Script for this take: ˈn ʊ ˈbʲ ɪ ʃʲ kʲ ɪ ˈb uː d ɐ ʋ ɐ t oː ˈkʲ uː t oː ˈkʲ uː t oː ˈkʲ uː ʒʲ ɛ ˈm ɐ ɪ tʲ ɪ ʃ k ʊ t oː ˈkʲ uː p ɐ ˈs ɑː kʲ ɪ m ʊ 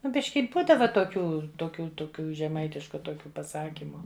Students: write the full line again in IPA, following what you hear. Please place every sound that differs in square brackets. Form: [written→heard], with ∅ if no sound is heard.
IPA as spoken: ˈn ʊ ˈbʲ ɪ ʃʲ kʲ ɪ ˈb uː d ɐ ʋ ɐ t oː ˈkʲ uː t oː ˈkʲ uː t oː ˈkʲ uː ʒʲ ɛ ˈm ɐ ɪ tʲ ɪ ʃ k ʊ t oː ˈkʲ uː p ɐ ˈs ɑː kʲ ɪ m ʊ